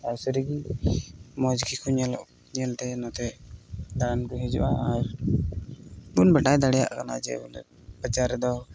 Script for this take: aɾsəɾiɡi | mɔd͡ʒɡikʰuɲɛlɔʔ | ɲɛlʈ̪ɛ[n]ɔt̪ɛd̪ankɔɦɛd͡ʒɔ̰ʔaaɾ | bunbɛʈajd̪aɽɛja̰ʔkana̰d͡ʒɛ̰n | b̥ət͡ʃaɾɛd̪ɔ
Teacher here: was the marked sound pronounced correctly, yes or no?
yes